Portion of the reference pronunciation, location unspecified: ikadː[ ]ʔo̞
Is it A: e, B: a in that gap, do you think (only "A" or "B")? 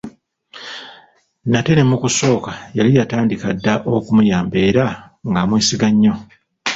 B